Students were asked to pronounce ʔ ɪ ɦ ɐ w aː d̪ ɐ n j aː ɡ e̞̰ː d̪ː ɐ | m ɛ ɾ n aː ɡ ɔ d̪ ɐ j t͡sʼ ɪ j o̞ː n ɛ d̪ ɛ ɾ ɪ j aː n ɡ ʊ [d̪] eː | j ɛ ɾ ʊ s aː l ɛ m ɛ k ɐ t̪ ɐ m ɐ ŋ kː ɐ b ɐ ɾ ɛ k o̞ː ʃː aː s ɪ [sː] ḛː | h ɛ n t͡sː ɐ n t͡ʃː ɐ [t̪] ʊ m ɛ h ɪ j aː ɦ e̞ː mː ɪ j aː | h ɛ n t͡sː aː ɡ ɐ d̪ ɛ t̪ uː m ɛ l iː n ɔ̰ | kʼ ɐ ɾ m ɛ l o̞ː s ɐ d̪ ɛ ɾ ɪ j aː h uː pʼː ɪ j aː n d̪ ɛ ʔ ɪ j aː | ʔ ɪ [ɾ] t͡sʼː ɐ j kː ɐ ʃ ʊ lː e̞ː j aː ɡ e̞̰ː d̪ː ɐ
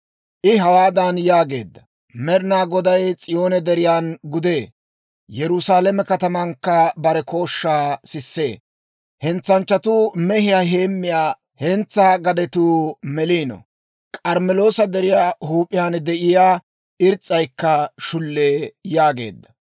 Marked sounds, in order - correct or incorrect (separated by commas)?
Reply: correct, correct, correct, correct